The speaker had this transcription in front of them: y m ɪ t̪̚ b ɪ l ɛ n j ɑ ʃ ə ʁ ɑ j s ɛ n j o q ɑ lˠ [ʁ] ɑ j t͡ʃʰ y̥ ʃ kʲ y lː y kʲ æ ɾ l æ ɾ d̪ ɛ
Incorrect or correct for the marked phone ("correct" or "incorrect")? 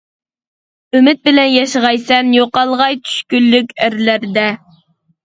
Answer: correct